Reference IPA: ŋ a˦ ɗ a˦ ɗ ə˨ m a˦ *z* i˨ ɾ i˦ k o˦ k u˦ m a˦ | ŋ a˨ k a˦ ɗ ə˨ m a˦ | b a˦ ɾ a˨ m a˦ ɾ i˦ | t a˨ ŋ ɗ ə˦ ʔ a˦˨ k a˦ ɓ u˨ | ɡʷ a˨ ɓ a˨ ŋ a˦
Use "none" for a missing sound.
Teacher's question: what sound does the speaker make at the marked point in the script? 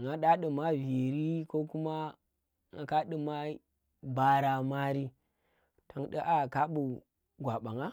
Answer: v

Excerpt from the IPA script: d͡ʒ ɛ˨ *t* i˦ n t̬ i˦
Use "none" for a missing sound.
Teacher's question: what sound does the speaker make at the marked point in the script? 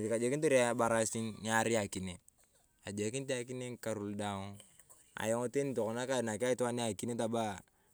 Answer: k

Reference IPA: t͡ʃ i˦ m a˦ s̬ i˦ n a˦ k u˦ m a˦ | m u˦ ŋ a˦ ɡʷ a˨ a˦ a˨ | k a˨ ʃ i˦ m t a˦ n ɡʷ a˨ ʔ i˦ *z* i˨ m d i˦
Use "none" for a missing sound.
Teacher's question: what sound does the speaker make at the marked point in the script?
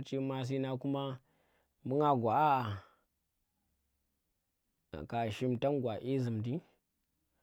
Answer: z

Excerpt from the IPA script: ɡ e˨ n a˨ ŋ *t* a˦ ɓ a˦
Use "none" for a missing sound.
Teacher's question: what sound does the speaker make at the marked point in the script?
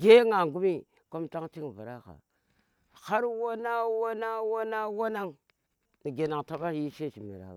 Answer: t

